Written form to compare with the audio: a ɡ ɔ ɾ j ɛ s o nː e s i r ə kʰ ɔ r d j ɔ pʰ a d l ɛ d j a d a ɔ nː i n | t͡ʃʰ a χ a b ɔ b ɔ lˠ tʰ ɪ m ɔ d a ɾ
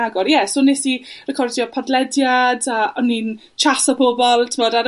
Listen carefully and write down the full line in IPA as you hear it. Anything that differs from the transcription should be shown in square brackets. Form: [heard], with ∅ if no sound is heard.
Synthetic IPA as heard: a ɡ ɔ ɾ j ɛ s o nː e s i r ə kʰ ɔ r d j ɔ pʰ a d l ɛ d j a d a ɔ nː i n | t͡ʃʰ a [s] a b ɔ b ɔ lˠ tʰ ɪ m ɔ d a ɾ